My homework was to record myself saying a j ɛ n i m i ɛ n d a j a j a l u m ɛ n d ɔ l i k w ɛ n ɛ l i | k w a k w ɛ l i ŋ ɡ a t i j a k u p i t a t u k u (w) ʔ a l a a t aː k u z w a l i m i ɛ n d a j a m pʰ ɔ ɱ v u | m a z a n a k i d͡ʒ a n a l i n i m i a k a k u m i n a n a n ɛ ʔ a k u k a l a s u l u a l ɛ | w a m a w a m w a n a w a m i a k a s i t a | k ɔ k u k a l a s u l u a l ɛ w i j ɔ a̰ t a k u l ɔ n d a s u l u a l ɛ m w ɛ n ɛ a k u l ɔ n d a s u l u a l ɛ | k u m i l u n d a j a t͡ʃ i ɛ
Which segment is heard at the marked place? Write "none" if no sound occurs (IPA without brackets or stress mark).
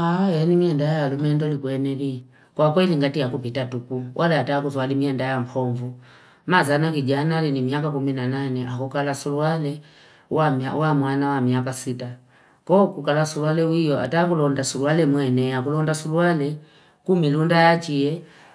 w